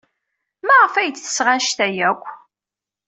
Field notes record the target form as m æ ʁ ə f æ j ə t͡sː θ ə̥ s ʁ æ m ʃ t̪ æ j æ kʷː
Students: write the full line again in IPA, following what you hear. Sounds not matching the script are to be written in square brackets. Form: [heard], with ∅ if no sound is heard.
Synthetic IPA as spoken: m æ ʁ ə f æ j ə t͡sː θ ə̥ s ʁ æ [n] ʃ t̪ æ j æ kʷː